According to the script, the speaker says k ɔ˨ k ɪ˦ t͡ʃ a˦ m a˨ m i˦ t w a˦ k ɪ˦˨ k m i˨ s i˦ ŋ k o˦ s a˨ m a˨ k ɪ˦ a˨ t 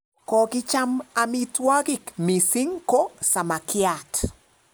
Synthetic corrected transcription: k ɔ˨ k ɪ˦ t͡ʃ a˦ m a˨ m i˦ t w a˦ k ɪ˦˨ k m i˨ s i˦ ŋ k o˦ s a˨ m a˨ k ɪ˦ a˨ t